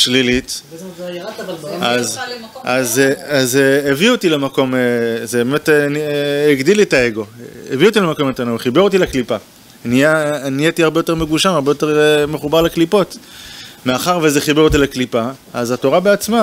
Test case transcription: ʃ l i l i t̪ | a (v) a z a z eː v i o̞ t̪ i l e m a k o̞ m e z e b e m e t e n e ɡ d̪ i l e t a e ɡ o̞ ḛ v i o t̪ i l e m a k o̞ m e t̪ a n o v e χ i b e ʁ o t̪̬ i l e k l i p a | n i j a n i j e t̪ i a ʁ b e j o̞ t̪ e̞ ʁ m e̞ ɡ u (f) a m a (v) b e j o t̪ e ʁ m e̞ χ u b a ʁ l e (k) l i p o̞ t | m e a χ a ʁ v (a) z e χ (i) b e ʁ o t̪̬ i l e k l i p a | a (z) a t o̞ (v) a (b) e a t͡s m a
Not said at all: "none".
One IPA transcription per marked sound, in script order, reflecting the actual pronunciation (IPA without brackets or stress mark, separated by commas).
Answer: z, ʃ, ʁ, k, e, i, z, ʁ, b